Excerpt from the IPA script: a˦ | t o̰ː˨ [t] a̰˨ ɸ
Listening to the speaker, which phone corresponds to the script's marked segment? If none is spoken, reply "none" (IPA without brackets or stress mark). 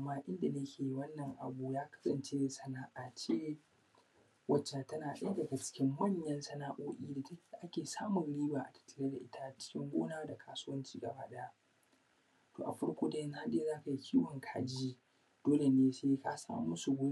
ʔ